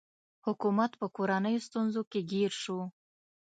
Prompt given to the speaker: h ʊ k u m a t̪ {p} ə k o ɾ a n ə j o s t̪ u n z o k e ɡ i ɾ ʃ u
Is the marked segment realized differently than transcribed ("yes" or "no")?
no